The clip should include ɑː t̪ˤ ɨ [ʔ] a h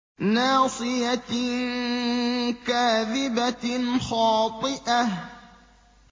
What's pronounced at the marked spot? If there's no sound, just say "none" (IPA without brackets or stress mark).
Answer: ʔ